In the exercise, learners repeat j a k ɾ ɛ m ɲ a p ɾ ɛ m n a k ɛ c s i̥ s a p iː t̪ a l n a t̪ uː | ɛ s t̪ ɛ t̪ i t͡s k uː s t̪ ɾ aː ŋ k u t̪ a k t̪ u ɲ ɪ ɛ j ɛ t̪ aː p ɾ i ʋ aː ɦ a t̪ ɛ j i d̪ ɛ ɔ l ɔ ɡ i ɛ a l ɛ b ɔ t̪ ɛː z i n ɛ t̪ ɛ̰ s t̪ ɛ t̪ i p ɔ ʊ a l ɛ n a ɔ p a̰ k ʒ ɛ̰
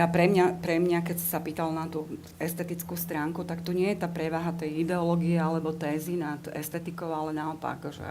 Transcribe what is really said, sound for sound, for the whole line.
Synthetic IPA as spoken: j a p ɾ ɛ m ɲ a p ɾ ɛ m ɲ a k ɛ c s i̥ s a p iː t̪ a l n a t̪ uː | ɛ s t̪ ɛ t̪ i t͡s k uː s t̪ ɾ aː ŋ k u t̪ a k t̪ u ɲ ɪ ɛ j ɛ t̪ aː p ɾ ɛ ʋ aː ɦ a t̪ ɛ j i d̪ ɛ ɔ l ɔ ɡ i ɛ a l ɛ b ɔ t̪ ɛː z i n a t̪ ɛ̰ s t̪ ɛ t̪ i k ɔ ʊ a l ɛ n a ɔ p a̰ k ʒ ɛ̰